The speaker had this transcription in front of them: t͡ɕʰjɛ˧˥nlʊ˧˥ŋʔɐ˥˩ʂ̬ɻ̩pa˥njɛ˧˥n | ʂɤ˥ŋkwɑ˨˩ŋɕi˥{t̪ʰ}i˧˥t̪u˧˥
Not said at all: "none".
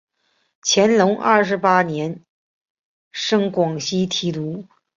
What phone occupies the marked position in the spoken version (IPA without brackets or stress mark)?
t̪ʰ